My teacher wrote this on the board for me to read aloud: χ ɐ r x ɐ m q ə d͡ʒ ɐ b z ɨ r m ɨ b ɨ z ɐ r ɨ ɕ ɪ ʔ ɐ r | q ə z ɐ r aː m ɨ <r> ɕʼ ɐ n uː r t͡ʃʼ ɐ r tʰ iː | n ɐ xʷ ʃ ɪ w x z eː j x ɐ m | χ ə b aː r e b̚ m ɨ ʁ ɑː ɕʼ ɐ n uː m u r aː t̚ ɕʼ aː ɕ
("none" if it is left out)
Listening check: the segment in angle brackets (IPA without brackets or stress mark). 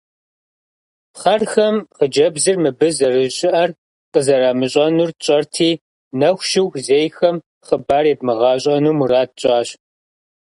none